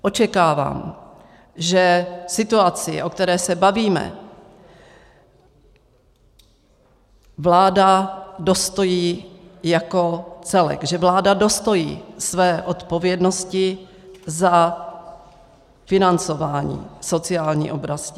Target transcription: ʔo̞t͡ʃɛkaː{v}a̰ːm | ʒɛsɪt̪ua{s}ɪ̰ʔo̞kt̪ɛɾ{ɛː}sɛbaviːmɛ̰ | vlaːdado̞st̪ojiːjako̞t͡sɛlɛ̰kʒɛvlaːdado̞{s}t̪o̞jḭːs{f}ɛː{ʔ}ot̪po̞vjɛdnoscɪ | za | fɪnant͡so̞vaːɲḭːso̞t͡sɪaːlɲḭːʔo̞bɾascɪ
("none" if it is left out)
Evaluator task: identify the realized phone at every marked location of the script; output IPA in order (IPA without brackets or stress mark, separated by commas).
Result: v, t͡s, ɛː, s, v, ʔ